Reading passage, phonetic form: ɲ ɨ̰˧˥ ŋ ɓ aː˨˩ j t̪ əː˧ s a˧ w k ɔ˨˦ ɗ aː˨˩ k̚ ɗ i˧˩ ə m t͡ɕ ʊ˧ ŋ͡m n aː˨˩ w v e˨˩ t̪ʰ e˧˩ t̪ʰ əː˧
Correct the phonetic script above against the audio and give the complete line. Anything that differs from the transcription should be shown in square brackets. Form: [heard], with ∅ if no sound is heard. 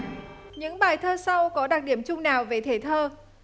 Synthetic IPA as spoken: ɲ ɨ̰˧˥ ŋ ɓ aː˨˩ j [t̪ʰ] əː˧ s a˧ w k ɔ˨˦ ɗ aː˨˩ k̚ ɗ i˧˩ ə m t͡ɕ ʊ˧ ŋ͡m n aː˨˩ w v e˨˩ t̪ʰ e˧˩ t̪ʰ əː˧